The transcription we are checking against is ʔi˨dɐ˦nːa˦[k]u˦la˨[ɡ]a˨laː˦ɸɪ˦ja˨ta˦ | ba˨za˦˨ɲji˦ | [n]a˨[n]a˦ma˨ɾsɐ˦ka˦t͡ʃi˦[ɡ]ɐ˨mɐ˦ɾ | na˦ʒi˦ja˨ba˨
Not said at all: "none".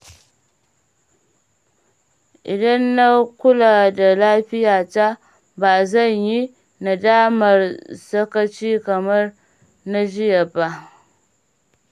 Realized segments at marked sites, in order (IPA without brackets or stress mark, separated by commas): k, d, n, d, k